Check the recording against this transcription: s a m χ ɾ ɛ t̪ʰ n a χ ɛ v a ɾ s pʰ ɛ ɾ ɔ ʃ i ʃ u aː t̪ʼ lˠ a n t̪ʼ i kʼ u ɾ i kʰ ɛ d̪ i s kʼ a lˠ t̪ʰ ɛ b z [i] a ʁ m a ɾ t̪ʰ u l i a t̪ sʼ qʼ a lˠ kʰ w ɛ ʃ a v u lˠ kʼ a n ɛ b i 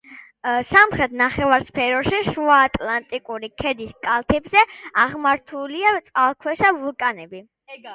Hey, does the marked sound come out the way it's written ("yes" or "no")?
no